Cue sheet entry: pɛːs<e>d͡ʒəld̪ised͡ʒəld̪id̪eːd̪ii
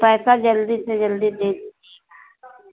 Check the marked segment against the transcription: incorrect: a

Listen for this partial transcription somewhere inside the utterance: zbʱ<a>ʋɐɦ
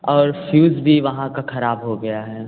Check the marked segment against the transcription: incorrect: i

